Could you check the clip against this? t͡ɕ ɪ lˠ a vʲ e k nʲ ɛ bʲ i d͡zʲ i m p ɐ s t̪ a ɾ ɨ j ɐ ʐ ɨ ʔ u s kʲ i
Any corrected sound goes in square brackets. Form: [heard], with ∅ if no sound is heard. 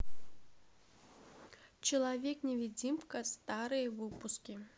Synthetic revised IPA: t͡ɕ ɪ lˠ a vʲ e k nʲ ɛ [vʲ] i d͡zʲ i m [k] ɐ s t̪ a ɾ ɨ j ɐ [v] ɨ [p] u s kʲ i